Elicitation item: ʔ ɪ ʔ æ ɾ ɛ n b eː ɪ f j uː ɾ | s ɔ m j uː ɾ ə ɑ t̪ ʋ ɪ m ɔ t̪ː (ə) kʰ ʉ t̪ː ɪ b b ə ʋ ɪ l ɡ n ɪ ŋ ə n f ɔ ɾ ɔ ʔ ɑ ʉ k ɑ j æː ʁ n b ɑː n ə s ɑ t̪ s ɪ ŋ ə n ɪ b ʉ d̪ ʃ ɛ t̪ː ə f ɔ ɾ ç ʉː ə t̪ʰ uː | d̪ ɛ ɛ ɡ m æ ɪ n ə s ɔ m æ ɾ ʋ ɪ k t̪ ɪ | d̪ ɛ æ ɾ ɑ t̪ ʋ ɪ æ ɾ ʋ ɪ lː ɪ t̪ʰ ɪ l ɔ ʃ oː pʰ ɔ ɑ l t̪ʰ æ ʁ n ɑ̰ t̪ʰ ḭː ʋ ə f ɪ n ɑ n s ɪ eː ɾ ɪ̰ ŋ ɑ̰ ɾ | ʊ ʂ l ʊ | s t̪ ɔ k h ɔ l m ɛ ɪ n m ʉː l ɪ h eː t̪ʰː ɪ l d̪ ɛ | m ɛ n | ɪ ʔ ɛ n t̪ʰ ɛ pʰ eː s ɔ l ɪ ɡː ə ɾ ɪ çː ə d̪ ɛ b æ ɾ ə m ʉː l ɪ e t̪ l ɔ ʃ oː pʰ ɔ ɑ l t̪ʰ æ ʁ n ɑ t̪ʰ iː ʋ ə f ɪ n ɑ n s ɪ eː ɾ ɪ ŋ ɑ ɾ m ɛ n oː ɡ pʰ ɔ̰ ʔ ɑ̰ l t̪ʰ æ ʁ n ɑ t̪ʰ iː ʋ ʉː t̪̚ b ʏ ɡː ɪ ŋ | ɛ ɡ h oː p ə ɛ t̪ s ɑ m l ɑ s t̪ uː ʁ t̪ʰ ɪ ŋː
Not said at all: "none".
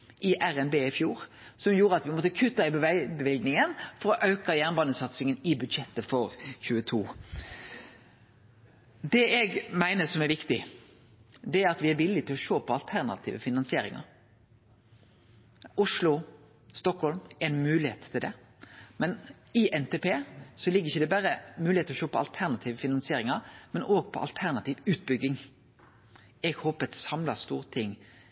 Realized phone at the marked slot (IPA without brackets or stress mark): ə